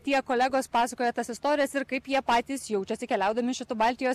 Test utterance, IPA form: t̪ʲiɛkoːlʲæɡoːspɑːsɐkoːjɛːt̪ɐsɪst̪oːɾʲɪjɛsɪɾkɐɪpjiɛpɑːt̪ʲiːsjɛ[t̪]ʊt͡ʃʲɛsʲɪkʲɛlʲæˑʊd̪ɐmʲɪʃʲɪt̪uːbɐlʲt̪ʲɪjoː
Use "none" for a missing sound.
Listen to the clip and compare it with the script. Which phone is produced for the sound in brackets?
none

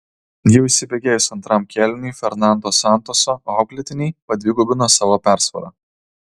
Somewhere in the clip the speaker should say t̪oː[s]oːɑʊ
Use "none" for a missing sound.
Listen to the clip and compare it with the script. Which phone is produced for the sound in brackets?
s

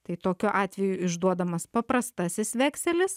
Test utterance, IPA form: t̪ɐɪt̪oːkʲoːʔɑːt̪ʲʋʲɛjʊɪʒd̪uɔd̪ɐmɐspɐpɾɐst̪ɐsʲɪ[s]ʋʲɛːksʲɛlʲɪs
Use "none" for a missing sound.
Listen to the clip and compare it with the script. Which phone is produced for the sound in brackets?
s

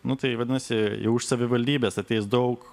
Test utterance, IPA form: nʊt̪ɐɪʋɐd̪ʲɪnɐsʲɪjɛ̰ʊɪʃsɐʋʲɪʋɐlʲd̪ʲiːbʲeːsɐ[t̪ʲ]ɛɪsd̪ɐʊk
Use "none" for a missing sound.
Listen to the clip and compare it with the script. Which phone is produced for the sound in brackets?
t̪ʲ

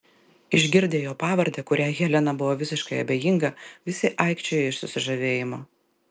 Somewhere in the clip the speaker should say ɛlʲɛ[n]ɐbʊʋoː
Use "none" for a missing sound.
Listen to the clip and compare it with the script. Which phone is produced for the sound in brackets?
n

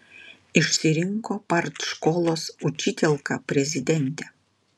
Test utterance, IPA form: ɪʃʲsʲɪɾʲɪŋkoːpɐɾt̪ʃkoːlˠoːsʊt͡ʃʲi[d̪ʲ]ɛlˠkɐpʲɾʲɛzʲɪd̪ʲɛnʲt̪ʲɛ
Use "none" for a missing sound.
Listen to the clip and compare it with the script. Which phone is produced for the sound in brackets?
t̪ʲ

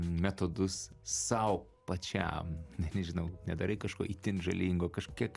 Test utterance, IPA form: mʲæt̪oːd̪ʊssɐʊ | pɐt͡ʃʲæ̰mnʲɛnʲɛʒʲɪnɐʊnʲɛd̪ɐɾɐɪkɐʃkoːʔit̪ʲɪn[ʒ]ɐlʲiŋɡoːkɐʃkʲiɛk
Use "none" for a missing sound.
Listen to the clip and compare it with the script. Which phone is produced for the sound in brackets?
ʒ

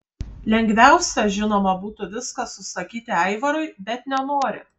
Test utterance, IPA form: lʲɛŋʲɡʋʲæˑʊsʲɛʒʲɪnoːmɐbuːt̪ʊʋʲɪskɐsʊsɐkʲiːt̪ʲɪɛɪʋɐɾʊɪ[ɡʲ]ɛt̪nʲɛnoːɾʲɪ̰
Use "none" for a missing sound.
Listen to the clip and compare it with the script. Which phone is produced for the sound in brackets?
bʲ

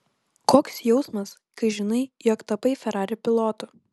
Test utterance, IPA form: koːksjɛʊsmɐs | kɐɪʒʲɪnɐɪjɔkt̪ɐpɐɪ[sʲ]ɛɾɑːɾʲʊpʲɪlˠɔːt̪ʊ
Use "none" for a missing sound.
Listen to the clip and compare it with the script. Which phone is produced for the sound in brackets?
fʲ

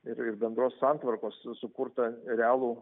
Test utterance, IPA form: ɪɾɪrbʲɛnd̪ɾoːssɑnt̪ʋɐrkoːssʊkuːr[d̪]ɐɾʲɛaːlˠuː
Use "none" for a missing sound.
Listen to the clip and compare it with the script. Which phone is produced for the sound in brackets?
t̪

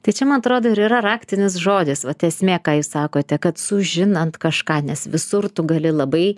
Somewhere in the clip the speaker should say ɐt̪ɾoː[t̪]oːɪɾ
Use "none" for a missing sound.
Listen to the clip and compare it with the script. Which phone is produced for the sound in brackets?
d̪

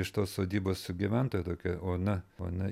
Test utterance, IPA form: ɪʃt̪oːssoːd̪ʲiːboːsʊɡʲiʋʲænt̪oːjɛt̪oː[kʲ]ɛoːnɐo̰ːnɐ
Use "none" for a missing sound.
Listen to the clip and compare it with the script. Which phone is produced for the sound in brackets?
kʲ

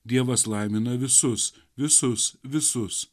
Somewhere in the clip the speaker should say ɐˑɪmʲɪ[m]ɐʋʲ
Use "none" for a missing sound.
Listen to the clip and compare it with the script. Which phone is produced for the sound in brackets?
n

